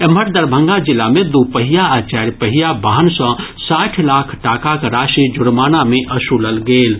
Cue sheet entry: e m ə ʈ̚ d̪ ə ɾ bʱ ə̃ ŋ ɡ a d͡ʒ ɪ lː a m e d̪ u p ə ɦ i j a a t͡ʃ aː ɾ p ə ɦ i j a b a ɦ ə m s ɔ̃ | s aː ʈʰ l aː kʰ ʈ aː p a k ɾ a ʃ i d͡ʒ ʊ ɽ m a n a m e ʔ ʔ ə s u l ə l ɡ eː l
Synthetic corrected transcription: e m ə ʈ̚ d̪ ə ɾ bʱ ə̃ ŋ ɡ a d͡ʒ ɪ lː a m e d̪ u p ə ɦ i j a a t͡ʃ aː ɾ p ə ɦ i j a b a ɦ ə n s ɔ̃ | s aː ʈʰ l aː kʰ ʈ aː k a k ɾ a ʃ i d͡ʒ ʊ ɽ m a n a m e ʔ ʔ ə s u l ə l ɡ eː l